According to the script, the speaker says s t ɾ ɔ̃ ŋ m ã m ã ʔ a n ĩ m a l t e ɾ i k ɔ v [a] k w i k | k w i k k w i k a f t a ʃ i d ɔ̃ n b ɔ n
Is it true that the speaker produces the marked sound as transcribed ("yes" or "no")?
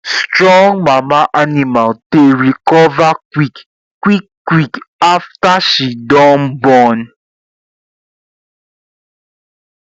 yes